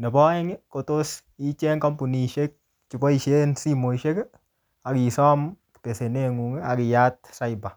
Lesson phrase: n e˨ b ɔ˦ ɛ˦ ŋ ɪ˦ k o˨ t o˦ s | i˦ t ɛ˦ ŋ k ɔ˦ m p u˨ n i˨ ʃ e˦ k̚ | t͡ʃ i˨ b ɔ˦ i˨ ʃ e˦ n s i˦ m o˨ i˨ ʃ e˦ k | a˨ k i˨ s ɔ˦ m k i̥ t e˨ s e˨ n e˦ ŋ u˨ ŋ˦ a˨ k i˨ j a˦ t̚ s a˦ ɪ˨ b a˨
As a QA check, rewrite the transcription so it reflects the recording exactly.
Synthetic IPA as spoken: n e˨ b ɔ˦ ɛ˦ ŋ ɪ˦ k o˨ t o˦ s | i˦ t͡ʃ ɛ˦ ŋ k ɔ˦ m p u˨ n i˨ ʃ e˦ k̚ | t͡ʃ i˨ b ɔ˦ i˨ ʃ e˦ n s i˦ m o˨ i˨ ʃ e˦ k | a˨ k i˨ s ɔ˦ m k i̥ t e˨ s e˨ n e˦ ŋ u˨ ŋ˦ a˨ k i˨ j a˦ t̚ s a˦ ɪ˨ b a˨